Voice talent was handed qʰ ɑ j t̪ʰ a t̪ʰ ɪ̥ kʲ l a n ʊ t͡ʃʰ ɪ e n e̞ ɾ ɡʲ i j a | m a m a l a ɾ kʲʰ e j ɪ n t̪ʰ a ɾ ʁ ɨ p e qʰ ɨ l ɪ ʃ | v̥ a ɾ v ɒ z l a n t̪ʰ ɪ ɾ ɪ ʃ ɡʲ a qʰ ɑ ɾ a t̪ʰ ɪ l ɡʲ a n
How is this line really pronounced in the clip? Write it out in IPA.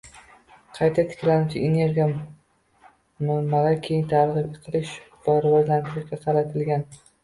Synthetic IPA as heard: qʰ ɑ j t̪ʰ a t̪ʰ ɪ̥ kʲ l a n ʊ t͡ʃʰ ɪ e n e̞ ɾ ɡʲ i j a | m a m a l a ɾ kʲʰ e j ɪ n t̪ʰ a ɾ ʁ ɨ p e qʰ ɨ l ɪ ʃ | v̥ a ɾ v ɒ z l a n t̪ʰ ɪ ɾ ɪ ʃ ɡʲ a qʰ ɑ ɾ a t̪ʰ ɪ l ɡʲ a n